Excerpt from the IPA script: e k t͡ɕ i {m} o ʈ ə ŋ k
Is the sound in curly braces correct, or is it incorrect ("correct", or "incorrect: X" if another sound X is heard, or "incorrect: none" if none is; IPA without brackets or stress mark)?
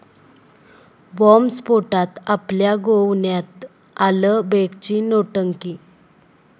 incorrect: n